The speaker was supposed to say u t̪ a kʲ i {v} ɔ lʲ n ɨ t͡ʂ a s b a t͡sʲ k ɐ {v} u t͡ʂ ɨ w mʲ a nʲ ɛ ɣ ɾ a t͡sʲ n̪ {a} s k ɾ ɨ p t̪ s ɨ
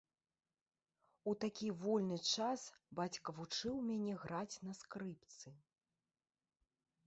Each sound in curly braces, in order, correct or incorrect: correct, correct, incorrect

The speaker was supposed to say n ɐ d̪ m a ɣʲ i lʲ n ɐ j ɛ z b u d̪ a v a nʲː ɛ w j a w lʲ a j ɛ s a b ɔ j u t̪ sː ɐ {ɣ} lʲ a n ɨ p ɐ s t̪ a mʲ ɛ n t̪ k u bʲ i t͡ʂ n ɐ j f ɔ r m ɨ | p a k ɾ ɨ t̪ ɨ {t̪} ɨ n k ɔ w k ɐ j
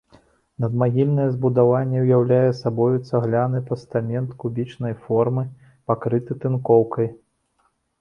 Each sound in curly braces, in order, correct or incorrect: correct, correct

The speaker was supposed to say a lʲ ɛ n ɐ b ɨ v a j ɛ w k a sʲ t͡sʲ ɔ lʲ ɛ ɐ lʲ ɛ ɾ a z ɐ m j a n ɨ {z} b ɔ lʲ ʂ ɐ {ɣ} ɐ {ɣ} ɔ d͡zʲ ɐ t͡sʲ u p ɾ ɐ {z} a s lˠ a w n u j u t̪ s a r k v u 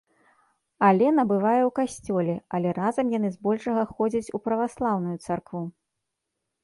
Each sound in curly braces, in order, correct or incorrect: correct, correct, incorrect, incorrect

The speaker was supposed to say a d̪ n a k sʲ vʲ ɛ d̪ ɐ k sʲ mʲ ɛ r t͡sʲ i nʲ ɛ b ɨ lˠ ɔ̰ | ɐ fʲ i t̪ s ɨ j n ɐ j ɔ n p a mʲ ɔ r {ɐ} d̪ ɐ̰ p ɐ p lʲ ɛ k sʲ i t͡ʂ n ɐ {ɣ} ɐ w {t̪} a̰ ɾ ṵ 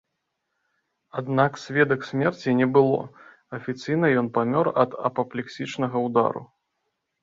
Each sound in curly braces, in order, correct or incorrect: correct, correct, incorrect

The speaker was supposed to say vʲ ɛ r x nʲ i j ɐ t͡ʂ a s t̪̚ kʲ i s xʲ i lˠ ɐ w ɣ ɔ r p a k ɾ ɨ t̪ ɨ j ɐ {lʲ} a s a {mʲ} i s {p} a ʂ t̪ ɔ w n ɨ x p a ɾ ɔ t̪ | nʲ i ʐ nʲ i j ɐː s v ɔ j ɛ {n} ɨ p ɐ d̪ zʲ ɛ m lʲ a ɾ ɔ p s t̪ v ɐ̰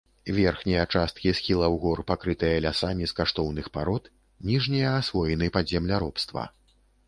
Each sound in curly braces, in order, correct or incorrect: correct, correct, incorrect, correct

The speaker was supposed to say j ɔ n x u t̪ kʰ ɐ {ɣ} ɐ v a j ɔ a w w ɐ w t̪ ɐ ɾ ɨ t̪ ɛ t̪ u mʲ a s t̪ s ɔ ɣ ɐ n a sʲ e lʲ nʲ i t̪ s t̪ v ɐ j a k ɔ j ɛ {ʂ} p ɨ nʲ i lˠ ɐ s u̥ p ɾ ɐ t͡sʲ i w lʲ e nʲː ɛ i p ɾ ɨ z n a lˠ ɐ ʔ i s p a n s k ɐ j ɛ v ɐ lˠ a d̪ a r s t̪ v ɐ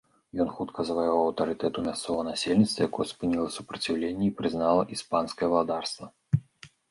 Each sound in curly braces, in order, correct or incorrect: incorrect, incorrect

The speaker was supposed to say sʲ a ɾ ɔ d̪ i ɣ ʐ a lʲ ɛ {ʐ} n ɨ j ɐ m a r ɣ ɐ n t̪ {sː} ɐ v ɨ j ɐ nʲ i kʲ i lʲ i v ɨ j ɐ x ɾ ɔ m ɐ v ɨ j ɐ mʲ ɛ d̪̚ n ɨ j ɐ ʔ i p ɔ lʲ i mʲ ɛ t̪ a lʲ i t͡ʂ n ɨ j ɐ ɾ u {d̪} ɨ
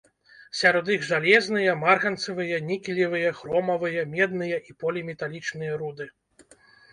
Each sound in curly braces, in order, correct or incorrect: incorrect, incorrect, correct

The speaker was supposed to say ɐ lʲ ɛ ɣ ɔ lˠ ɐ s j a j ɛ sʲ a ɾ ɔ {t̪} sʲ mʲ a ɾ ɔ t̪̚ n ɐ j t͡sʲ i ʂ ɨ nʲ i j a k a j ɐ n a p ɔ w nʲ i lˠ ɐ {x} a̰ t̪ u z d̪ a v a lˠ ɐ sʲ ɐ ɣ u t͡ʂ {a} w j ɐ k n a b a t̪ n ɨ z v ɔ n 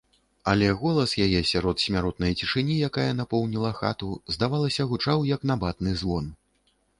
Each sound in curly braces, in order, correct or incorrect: correct, correct, correct

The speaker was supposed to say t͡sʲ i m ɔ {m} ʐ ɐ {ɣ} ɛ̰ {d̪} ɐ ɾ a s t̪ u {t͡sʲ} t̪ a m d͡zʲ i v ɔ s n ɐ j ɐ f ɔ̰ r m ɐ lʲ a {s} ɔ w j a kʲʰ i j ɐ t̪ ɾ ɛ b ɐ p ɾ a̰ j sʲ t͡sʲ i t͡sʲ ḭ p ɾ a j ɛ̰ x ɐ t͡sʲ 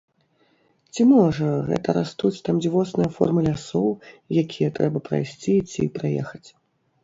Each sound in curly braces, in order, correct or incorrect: incorrect, correct, incorrect, correct, correct

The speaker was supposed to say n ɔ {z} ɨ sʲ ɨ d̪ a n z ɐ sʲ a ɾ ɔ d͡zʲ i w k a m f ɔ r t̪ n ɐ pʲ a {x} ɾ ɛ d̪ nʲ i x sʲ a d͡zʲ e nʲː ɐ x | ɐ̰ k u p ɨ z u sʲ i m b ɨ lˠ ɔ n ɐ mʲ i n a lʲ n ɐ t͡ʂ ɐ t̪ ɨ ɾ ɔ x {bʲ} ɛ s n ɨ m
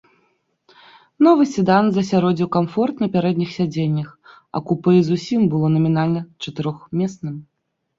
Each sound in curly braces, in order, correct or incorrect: incorrect, incorrect, incorrect

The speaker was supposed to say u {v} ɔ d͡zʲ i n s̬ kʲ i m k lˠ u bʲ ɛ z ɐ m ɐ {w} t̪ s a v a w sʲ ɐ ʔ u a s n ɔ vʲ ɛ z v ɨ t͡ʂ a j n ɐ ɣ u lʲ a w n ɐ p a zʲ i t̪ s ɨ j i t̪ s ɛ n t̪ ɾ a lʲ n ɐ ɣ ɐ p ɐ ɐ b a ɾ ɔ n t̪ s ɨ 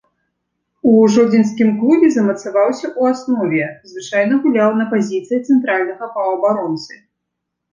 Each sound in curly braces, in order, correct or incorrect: incorrect, incorrect

